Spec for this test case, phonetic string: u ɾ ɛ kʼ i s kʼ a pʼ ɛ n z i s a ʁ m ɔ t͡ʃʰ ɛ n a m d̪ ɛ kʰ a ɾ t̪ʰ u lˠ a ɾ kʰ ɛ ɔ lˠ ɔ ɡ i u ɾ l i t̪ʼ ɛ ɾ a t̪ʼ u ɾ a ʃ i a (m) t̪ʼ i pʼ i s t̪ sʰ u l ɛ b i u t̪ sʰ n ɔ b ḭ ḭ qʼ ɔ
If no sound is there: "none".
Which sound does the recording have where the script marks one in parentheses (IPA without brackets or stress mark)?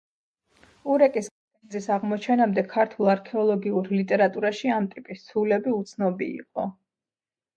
m